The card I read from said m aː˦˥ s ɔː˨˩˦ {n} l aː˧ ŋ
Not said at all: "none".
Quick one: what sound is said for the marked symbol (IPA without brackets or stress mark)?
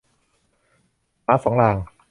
ŋ